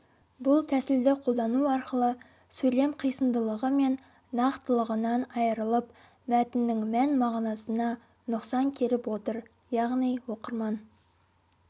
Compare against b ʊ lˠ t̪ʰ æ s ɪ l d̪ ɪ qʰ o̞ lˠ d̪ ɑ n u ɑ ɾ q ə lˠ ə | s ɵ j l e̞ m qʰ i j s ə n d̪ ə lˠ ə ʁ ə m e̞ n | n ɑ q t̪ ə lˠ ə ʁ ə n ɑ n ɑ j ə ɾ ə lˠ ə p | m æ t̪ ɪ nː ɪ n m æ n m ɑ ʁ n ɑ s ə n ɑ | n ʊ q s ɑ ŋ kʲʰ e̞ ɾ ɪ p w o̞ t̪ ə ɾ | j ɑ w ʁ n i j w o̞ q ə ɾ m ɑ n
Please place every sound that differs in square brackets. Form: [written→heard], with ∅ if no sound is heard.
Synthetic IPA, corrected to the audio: b ʊ lˠ t̪ʰ æ s ɪ l d̪ ɪ qʰ o̞ lˠ d̪ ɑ n u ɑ ɾ q ə lˠ ə | s ɵ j l e̞ m qʰ i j s ə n d̪ ə lˠ ə ʁ ə m e̞ n | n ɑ q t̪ ə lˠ ə ʁ ə n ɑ n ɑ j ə ɾ ə lˠ ə p | m æ t̪ ɪ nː ɪ [n→ŋ] m æ n m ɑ ʁ n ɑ s ə n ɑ | n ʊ q s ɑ ŋ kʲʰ e̞ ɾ ɪ p w o̞ t̪ ə ɾ | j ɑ [w→∅] ʁ n i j w o̞ q ə ɾ m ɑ n